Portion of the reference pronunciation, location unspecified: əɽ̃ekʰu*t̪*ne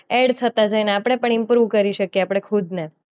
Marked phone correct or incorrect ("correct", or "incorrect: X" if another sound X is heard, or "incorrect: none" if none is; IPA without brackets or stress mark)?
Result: incorrect: d̪